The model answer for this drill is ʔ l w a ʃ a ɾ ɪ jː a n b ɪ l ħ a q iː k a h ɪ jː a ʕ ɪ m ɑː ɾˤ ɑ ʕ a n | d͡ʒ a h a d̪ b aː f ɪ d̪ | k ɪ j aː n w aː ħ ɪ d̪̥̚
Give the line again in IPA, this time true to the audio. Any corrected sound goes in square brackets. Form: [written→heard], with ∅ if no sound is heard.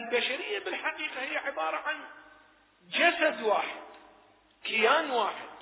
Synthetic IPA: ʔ l [w→b] a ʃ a ɾ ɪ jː a [n→∅] b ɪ l ħ a q iː [k→q] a h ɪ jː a ʕ ɪ [m→b] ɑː ɾˤ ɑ ʕ a n | d͡ʒ a [h→s] a d̪ [b→w] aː [f→ħ] ɪ d̪ | k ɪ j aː n w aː ħ ɪ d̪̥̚